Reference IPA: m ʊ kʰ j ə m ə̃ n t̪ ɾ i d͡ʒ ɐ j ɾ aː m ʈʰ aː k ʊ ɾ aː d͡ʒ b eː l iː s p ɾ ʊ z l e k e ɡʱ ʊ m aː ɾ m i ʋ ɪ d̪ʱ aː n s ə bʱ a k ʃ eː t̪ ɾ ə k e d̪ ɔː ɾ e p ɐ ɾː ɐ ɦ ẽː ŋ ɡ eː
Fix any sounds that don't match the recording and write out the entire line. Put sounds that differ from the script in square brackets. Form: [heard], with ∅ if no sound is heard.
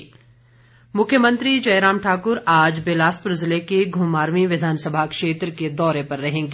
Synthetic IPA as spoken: m ʊ kʰ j ə m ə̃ n t̪ ɾ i d͡ʒ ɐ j ɾ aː m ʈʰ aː k ʊ ɾ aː d͡ʒ b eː l [aː] s p ɾ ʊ z l e k e ɡʱ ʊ m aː ɾ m i ʋ ɪ d̪ʱ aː n s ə bʱ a k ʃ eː t̪ ɾ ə k e d̪ ɔː ɾ e p ɐ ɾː ɐ ɦ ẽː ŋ ɡ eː